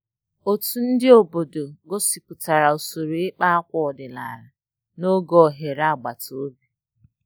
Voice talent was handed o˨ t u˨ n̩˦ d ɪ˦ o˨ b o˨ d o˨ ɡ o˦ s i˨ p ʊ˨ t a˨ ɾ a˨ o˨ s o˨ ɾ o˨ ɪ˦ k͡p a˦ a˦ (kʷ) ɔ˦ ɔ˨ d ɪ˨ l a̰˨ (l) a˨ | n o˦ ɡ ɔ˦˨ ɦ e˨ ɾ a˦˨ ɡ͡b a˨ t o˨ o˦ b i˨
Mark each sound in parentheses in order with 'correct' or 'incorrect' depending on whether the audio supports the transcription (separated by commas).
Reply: correct, incorrect